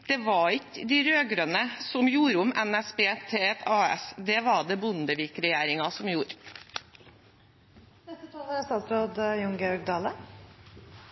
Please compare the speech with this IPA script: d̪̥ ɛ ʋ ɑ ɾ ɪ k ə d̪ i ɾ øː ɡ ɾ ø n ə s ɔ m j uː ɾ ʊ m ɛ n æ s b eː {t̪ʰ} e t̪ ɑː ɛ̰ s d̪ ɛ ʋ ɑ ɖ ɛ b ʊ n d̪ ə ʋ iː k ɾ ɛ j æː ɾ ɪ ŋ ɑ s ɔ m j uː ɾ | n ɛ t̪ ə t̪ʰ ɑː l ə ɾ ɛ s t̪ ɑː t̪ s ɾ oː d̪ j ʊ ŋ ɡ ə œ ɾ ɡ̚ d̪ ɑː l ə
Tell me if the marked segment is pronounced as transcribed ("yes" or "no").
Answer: yes